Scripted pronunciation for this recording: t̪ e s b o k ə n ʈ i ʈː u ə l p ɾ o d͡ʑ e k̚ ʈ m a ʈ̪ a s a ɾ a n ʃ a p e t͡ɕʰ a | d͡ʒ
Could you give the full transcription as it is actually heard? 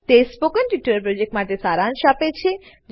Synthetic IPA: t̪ e s p o k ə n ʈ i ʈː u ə ɾ p ɾ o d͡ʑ e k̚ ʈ m a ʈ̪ e s a ɾ a n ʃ a p e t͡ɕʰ e | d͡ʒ